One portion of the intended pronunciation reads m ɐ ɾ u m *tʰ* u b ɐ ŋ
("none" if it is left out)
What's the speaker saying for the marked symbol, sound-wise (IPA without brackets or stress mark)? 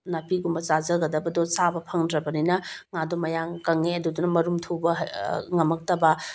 tʰ